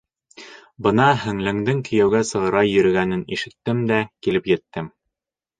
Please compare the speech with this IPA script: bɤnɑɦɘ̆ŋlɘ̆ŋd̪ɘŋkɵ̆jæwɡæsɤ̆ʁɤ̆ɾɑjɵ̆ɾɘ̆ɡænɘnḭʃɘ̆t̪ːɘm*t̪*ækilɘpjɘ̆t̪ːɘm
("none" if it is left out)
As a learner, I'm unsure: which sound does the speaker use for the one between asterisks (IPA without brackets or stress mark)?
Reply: d̪